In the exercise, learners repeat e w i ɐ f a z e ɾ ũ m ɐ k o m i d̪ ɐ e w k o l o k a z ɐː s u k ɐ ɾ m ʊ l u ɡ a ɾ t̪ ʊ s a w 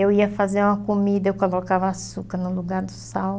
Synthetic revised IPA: e w i ɐ f a z e ɾ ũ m ɐ k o m i d̪ ɐ e w k o l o k a v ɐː s u k ɐ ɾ n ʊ l u ɡ a ɾ d̪ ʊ s a w